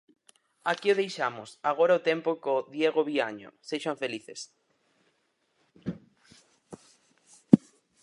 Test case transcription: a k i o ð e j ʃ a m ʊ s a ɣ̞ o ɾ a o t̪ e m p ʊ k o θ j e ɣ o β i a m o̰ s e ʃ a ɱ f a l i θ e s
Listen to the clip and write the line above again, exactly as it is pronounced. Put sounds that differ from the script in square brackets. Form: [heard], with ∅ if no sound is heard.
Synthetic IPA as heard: a k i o ð e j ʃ a m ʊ s a ɣ̞ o ɾ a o t̪ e m p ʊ k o [ð] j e ɣ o β i a [ɲ] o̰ s e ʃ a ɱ f [e] l i θ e s